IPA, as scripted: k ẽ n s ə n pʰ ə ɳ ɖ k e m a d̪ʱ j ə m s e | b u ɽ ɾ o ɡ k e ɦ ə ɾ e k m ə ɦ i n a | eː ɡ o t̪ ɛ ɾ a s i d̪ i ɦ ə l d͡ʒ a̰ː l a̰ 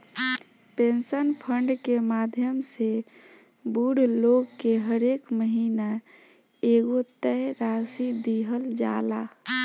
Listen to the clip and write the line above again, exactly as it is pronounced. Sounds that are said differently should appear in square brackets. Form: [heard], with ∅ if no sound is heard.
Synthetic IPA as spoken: [p] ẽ n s ə n pʰ ə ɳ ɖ k e m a d̪ʱ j ə m s e | b u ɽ [l] o ɡ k e ɦ ə ɾ e k m ə ɦ i n a | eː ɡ o t̪ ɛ ɾ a s i d̪ i ɦ ə l d͡ʒ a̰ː l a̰